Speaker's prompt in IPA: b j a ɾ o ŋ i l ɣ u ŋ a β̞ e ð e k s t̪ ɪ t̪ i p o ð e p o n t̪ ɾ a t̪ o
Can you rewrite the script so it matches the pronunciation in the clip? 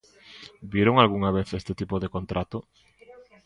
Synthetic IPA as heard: b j e ɾ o ŋ a l ɣ u ŋ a β̞ e θ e s t̪ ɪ t̪ i p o ð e k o n t̪ ɾ a t̪ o